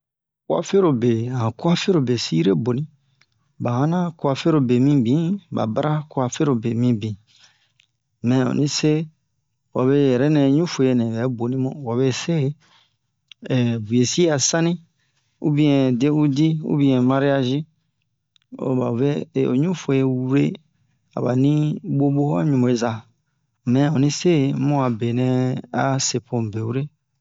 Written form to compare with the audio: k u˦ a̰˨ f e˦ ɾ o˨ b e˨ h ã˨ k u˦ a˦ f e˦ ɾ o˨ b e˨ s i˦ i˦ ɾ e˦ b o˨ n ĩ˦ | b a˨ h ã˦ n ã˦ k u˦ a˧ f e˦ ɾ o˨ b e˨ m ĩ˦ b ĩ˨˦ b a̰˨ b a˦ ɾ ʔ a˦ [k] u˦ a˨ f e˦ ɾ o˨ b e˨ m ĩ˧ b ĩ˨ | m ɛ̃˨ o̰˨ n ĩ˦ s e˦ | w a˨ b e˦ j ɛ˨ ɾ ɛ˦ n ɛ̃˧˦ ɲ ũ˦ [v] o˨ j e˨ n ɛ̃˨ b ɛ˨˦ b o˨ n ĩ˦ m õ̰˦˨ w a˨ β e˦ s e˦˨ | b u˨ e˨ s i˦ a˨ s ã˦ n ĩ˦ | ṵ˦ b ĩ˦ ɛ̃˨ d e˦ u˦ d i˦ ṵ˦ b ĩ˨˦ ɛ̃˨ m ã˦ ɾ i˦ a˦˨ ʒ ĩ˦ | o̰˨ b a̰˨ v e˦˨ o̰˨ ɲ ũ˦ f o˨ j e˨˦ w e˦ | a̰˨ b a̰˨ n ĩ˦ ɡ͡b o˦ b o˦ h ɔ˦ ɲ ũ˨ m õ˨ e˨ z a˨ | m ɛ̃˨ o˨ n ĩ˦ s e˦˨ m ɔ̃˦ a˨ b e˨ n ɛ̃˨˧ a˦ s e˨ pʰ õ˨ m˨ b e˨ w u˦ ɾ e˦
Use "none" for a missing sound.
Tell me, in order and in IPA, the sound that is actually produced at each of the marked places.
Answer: k, f

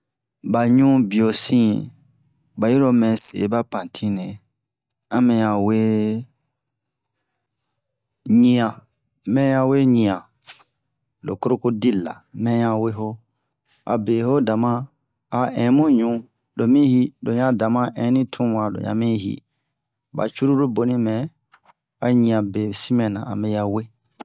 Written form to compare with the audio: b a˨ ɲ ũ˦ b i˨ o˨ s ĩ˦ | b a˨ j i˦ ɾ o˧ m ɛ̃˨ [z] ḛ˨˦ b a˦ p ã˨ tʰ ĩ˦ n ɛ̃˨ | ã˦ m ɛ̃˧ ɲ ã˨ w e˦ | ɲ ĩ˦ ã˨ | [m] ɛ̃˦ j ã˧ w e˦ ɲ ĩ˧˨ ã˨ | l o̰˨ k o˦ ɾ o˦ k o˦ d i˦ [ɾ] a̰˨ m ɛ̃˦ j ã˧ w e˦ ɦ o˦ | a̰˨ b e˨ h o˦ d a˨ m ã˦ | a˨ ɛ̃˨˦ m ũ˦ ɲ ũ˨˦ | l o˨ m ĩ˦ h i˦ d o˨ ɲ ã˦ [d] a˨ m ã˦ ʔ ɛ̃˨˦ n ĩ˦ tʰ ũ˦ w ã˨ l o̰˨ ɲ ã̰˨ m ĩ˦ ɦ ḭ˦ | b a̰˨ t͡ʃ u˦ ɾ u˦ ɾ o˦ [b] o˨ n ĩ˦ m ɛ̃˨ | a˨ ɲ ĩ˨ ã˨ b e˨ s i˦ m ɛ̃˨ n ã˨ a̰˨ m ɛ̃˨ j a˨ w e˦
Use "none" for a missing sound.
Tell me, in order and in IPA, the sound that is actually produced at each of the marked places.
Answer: s, m, l, d, b

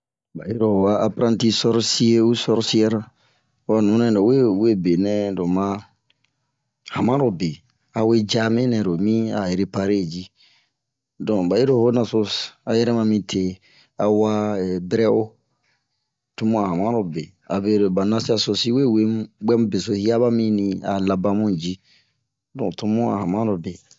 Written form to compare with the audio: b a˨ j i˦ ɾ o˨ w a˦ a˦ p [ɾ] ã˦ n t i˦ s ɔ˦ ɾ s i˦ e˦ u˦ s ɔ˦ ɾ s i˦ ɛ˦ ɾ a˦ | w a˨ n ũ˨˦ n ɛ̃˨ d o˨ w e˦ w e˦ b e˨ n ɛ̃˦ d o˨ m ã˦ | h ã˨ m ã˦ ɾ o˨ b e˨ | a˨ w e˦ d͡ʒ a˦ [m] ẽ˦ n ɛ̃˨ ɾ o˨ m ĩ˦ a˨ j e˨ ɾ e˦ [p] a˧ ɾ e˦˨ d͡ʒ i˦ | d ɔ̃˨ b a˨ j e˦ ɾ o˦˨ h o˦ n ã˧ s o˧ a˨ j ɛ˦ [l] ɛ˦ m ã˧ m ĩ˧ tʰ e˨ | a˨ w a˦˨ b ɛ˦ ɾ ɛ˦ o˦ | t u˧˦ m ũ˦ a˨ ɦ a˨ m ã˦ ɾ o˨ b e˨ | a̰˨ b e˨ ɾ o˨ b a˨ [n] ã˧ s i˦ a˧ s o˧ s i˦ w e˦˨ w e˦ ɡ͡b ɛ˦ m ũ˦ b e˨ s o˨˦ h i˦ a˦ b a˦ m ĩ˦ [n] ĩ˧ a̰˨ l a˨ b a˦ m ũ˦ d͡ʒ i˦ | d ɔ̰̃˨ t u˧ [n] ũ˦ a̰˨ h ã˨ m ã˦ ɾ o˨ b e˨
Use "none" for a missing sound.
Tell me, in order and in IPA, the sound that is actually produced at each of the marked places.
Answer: ɾ, m, p, ɾ, n, n, m

